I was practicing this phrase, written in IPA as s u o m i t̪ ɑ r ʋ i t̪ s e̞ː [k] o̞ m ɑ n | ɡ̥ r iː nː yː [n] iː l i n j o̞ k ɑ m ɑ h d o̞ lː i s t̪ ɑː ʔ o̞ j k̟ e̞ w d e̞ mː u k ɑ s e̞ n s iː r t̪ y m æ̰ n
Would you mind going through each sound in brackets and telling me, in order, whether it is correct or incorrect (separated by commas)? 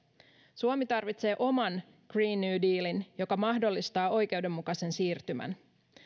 incorrect, incorrect